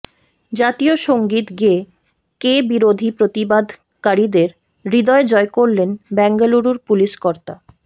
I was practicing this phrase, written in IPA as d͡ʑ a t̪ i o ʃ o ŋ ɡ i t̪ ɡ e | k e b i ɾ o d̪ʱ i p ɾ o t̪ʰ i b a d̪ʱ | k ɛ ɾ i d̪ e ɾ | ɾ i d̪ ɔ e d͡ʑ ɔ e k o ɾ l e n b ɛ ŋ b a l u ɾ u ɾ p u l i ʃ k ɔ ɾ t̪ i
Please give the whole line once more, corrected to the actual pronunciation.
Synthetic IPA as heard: d͡ʑ a t̪ i o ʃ o ŋ ɡ i t̪ ɡ e | k e b i ɾ o d̪ʱ i p ɾ o t̪ i b a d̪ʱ | k a ɾ i d̪ e ɾ | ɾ i d̪ ɔ e d͡ʑ ɔ e k o ɾ l e n b ɛ ŋ ɡ a l u ɾ u ɾ p u l i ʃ k ɔ ɾ t̪ a